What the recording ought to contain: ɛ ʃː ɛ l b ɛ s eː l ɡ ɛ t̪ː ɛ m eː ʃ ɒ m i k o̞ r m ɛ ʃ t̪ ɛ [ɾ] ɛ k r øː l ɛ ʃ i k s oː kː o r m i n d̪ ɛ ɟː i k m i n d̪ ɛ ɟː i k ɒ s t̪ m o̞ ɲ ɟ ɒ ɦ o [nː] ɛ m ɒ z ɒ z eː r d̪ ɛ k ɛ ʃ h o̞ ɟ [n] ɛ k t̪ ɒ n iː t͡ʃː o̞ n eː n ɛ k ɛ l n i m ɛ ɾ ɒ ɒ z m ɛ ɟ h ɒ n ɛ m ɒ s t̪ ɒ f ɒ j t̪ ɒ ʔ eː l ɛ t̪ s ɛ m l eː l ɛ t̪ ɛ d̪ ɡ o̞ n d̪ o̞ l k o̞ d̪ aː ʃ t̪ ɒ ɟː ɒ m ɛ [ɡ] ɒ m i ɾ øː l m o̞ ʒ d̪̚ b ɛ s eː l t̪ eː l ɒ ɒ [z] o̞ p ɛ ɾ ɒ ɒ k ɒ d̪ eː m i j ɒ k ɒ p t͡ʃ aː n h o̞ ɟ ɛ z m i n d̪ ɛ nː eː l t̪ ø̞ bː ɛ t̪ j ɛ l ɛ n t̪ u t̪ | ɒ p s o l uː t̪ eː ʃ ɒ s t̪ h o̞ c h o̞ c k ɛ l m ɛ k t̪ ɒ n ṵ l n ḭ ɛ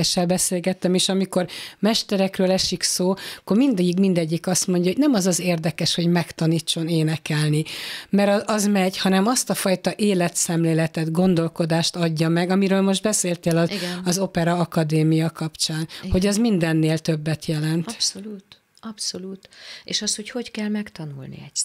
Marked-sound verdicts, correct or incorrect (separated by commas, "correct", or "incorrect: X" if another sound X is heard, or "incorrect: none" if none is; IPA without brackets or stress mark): correct, incorrect: n, incorrect: m, correct, correct